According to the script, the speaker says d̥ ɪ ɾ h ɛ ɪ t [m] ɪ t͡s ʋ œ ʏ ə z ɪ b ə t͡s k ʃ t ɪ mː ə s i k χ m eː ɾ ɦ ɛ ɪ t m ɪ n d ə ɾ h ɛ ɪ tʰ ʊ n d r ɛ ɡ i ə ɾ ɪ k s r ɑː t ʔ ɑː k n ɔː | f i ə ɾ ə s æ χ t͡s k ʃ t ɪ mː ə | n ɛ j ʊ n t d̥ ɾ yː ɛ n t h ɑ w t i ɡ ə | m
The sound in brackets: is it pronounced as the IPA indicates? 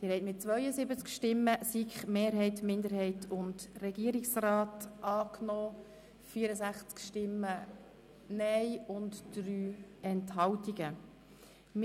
yes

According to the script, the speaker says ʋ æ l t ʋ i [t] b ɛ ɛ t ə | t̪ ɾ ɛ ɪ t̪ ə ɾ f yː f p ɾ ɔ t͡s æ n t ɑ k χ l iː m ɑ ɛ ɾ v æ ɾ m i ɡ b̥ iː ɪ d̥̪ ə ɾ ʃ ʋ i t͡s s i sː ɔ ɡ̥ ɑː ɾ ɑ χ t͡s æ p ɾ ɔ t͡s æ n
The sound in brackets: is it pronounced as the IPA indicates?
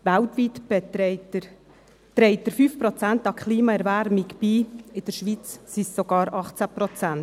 yes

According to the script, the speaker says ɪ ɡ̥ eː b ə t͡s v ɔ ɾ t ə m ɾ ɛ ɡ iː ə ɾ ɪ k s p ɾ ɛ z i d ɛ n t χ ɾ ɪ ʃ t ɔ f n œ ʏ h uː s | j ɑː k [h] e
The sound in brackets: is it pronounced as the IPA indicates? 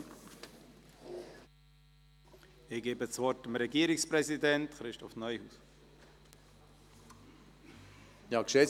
no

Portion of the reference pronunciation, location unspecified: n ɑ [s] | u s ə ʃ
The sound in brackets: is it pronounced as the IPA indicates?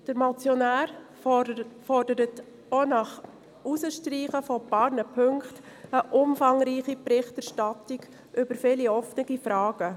no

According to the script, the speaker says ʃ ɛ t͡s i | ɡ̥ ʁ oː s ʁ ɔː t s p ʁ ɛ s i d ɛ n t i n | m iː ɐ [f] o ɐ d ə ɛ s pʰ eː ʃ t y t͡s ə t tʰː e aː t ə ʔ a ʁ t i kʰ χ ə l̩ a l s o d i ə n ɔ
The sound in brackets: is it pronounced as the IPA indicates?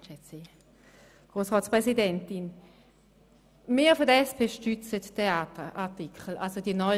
yes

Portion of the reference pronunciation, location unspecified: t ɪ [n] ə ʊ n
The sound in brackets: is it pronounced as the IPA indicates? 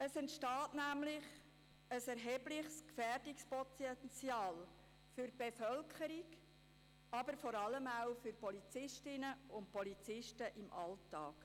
yes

